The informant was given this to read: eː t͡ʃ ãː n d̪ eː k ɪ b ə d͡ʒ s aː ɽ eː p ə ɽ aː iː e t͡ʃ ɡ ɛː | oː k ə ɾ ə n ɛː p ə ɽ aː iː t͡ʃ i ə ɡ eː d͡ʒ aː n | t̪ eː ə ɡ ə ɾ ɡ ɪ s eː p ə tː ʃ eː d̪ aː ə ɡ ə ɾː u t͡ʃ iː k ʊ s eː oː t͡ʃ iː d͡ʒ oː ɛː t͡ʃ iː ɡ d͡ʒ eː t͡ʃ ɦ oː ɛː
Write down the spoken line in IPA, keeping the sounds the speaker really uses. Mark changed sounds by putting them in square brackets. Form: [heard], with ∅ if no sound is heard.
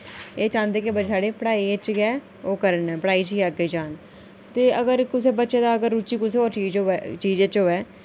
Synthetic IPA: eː t͡ʃ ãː n d̪ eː k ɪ b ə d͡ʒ s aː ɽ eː p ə ɽ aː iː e t͡ʃ ɡ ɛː | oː k ə ɾ ə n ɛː p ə ɽ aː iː t͡ʃ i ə ɡ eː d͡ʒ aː n | t̪ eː ə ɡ ə ɾ [k] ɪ s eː [b] ə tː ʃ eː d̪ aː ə ɡ ə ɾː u t͡ʃ iː k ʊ s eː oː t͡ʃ iː d͡ʒ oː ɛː t͡ʃ iː [∅] d͡ʒ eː t͡ʃ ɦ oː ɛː